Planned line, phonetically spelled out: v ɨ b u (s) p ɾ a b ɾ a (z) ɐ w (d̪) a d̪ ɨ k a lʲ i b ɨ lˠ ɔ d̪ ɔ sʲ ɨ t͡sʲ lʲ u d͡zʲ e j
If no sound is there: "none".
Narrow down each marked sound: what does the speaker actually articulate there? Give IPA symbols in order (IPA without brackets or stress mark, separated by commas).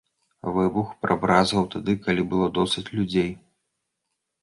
x, z, t̪